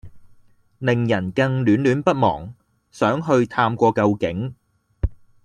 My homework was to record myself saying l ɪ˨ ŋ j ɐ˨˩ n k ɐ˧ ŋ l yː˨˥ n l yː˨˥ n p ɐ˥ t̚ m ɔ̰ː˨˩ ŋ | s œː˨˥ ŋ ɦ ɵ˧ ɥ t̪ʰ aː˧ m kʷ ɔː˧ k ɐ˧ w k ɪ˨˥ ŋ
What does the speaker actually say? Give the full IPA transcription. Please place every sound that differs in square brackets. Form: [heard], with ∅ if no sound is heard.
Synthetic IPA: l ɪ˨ ŋ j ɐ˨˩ n k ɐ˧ ŋ l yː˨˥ n l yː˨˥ n p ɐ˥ t̚ m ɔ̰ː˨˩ ŋ | s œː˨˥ ŋ ɦ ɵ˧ ɥ t̪ʰ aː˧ m kʷ ɔː˧ k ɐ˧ w k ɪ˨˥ ŋ